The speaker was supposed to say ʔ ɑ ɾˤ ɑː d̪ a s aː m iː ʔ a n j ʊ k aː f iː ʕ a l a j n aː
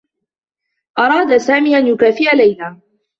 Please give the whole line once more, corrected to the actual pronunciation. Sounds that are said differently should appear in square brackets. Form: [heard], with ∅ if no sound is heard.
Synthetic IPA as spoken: ʔ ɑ ɾˤ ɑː d̪ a s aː m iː ʔ a n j ʊ k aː f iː ʕ a l a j n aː